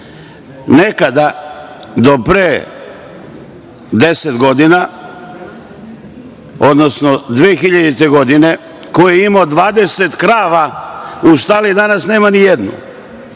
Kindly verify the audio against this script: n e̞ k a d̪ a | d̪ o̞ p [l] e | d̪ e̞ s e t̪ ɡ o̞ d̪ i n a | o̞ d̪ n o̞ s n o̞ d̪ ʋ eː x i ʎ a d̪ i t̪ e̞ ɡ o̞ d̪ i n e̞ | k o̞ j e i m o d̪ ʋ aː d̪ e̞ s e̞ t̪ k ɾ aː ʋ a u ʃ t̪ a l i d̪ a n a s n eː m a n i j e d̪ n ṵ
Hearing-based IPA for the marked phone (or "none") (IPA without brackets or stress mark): ɾ